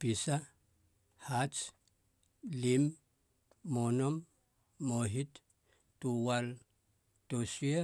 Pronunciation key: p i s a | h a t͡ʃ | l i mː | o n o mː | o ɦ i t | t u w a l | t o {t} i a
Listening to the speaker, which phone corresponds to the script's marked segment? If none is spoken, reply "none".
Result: s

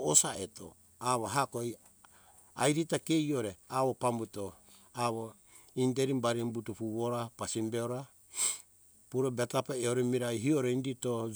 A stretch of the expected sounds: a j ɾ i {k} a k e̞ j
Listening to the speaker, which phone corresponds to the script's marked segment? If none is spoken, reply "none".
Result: t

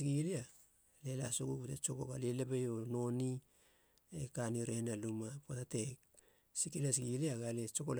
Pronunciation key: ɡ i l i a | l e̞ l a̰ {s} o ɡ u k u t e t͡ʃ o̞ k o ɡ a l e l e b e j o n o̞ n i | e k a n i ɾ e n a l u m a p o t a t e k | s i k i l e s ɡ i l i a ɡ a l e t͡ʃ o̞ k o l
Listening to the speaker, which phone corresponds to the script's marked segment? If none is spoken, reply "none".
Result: s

